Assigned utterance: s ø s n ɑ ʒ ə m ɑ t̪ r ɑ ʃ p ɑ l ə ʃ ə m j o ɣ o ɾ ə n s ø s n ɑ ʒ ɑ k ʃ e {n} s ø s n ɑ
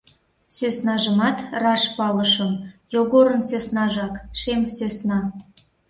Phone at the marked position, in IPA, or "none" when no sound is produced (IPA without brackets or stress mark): m